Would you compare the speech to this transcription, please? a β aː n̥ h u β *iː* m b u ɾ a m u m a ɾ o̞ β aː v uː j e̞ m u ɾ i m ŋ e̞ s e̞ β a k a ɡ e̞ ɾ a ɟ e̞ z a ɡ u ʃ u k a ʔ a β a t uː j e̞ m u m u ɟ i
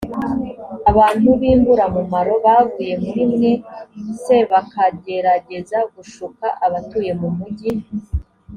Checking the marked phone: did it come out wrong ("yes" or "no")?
no